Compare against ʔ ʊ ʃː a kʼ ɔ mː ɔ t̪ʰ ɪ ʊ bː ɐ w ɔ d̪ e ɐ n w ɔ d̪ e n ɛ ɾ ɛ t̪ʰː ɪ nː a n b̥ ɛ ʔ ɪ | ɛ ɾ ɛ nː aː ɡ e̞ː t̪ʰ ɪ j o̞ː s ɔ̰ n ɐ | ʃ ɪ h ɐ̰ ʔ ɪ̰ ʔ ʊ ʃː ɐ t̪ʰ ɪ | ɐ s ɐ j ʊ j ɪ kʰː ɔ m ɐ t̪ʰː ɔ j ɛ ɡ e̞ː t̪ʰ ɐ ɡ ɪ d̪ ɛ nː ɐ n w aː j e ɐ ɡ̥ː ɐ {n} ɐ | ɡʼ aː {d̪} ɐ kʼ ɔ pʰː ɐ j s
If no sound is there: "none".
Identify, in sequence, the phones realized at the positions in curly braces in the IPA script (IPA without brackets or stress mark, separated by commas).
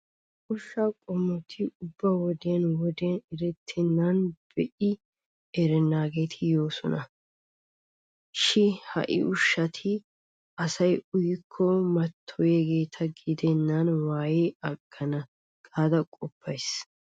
n, d̪